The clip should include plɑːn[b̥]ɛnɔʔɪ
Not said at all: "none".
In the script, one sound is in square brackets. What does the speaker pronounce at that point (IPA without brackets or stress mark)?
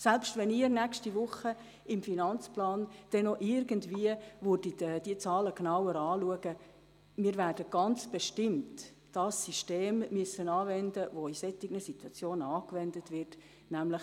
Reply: d̥